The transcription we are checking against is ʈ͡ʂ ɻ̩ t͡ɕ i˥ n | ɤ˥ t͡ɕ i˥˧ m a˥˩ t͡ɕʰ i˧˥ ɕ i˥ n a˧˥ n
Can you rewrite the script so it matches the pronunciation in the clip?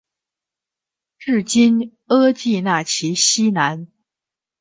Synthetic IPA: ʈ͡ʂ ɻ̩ t͡ɕ i˥ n | ɤ˥ t͡ɕ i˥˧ n a˥˩ t͡ɕʰ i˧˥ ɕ i˥ n a˧˥ n